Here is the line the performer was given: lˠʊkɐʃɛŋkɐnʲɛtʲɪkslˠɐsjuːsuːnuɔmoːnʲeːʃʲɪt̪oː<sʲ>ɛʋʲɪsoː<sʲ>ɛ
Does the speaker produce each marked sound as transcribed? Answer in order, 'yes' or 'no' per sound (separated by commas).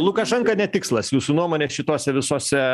yes, yes